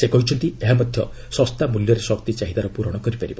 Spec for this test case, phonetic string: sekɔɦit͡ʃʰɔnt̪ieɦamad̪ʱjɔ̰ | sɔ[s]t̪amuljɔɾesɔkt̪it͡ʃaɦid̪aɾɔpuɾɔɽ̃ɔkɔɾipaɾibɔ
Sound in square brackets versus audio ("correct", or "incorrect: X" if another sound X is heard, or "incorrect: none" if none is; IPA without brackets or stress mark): correct